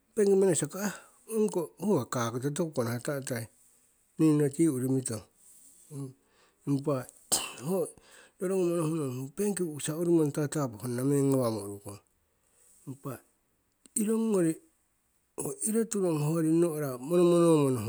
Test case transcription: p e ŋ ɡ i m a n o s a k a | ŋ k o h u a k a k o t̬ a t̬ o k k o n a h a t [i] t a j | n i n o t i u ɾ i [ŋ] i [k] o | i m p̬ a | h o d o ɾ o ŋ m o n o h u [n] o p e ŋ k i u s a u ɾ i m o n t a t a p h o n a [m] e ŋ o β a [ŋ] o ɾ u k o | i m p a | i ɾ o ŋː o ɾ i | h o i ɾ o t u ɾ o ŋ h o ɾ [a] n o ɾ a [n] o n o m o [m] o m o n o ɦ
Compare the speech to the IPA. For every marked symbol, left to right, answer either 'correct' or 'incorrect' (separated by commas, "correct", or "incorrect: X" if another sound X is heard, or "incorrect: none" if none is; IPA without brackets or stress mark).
incorrect: a, incorrect: m, incorrect: t, correct, correct, incorrect: m, incorrect: i, incorrect: m, incorrect: n